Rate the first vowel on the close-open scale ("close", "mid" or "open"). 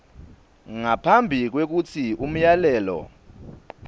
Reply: open